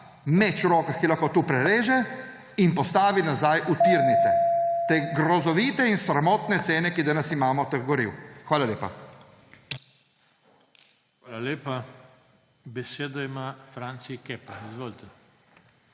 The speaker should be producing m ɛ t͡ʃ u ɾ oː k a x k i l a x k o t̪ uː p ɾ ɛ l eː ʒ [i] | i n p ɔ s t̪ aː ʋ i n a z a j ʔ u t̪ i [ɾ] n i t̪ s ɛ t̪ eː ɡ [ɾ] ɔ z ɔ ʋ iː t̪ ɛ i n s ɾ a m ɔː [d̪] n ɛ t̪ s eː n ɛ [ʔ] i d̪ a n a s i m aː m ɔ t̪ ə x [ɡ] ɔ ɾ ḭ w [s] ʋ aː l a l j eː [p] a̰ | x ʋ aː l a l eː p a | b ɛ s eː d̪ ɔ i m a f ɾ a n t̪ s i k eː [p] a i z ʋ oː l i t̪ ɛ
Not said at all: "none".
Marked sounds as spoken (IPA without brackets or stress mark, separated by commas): ɛ, ɾ, ɾ, t̪, k, ɡ, x, p, p